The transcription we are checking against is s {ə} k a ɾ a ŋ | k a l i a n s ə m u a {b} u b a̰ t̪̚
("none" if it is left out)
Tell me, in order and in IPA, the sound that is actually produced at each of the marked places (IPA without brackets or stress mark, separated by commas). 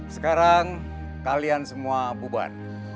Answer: ə, b